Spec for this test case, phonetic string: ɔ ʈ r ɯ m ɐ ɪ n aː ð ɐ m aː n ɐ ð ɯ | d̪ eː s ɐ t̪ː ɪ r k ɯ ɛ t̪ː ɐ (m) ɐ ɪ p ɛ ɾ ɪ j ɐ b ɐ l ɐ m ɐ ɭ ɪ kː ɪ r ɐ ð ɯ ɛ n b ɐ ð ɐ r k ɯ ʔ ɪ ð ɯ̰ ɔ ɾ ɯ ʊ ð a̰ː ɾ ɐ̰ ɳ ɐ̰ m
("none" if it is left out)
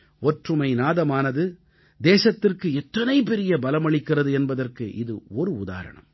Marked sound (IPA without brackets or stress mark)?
n